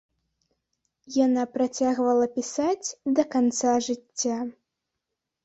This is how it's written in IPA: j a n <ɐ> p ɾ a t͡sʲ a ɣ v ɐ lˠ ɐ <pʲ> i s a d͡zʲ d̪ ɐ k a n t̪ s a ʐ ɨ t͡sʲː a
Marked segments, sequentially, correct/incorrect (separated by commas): incorrect, correct